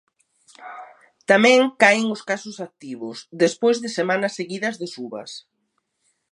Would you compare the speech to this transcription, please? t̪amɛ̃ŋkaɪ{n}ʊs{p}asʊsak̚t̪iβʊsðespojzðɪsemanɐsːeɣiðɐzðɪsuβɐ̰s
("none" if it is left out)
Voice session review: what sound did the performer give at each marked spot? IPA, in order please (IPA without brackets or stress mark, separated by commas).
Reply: ŋ, k